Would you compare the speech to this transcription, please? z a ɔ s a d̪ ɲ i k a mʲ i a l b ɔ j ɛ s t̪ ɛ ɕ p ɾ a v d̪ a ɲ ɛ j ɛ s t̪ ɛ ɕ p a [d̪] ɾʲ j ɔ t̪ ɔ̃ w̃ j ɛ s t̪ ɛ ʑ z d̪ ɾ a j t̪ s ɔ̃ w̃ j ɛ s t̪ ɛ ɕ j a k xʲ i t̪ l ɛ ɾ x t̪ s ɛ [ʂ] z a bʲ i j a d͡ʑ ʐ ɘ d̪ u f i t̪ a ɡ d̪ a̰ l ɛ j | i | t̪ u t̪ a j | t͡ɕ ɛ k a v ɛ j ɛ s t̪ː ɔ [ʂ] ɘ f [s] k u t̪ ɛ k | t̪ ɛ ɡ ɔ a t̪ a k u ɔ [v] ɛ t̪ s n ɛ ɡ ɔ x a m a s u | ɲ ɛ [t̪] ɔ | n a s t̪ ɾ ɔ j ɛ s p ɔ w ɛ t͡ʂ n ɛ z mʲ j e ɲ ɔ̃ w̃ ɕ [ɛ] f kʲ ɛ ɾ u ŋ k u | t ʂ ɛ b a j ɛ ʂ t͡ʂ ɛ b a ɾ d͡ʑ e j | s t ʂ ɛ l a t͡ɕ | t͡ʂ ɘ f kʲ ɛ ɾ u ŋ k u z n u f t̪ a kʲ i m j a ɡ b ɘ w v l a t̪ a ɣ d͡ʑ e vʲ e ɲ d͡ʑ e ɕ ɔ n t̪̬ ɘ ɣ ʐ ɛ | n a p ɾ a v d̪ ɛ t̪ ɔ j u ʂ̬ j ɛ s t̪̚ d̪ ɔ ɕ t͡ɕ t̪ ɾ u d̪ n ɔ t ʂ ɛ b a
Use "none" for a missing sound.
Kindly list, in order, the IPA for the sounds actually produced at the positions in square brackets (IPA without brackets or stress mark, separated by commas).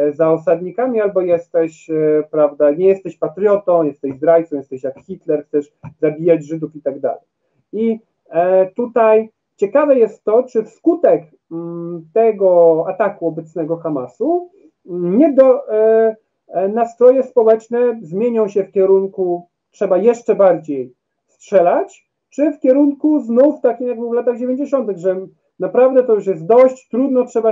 t̪, ʂ, t͡ʂ, s, b, d̪, ɛ